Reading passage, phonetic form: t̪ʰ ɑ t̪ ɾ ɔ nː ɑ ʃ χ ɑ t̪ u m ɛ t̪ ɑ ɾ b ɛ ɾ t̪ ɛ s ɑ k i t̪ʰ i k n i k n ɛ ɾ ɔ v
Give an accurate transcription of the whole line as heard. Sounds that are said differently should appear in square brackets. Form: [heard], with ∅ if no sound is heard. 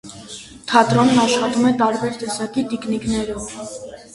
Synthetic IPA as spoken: t̪ʰ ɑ t̪ ɾ ɔ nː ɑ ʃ χ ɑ t̪ u m ɛ t̪ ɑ ɾ b ɛ ɾ t̪ ɛ s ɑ k i [t̪] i k n i k n ɛ ɾ ɔ v